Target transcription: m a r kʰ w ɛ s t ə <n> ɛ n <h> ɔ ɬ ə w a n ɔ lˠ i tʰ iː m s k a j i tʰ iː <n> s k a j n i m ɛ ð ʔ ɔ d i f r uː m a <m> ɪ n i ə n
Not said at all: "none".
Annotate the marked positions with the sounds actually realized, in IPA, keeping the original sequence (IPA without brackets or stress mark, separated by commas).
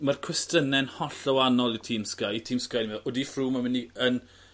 n, h, m, m